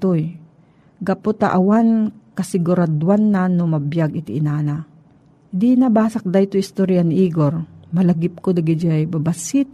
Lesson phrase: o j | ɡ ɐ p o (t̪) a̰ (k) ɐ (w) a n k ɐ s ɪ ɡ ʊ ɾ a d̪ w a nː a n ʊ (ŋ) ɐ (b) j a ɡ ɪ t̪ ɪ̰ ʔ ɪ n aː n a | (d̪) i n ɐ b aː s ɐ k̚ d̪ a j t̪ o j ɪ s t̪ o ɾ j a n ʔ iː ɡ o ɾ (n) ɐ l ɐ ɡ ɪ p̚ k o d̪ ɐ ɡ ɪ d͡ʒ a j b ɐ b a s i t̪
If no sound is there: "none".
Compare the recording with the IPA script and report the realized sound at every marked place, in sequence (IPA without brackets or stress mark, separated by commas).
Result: t̪, ʔ, w, m, b, d̪, m